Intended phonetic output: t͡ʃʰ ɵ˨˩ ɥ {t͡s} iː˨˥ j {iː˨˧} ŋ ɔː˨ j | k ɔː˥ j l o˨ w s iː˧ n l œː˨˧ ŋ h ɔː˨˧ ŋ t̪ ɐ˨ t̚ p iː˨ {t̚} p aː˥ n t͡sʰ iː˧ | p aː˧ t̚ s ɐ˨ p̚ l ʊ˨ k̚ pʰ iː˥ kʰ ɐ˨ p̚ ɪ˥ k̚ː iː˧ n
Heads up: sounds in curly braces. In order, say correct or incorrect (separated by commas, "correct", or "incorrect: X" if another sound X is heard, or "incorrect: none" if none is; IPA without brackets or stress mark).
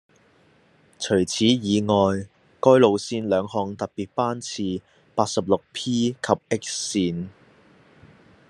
incorrect: t͡sʰ, correct, correct